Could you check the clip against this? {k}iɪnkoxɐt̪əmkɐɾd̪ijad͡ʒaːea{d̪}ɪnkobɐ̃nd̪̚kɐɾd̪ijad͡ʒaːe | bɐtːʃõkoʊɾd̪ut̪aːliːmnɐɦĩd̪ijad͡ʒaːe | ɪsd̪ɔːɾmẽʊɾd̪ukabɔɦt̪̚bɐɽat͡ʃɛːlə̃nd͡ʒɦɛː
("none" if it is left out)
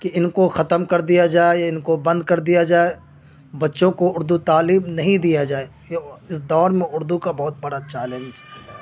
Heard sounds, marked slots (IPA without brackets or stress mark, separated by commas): k, none